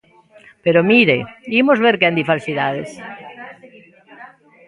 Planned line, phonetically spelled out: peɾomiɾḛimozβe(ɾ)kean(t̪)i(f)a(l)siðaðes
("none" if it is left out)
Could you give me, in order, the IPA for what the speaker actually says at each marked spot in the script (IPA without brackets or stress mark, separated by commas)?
ɾ, d̪, f, l